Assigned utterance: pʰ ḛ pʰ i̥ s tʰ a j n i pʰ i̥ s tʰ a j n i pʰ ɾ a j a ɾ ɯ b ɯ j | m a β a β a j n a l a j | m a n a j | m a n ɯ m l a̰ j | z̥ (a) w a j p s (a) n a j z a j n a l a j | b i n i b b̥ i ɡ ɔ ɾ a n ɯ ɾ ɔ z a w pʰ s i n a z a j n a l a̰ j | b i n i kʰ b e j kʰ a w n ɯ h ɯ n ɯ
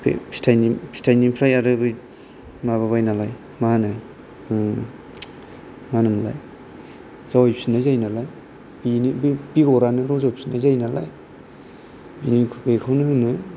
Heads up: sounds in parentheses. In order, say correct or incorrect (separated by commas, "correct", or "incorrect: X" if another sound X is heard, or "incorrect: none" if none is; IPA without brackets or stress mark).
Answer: correct, incorrect: i